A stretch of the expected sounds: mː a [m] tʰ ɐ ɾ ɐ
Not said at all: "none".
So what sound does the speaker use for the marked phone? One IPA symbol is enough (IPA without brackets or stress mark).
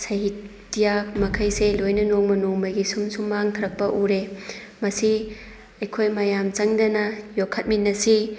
ŋ